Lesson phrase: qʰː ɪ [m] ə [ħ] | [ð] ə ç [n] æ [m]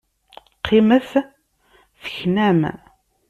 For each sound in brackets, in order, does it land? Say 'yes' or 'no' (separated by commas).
yes, no, no, yes, yes